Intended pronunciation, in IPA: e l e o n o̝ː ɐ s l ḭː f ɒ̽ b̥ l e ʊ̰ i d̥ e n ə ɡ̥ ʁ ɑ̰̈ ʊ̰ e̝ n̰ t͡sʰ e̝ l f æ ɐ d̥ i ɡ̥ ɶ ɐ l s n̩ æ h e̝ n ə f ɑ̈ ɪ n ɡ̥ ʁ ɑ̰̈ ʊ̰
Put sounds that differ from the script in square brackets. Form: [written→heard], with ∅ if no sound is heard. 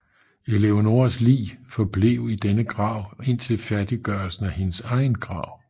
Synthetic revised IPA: e l e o n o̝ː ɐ s l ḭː f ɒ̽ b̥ l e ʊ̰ i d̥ e n ə ɡ̥ ʁ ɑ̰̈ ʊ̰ e̝ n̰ t͡sʰ e̝ l f æ ɐ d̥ i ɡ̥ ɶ ɐ l s n̩ æ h e̝ n ə [f→s] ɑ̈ ɪ n ɡ̥ ʁ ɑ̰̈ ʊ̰